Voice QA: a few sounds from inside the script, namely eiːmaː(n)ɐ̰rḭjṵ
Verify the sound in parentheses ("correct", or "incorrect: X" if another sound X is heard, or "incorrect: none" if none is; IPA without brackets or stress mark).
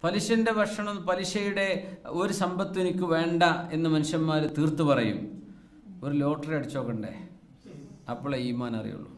correct